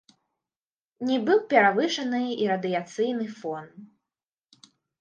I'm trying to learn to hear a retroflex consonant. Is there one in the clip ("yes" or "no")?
yes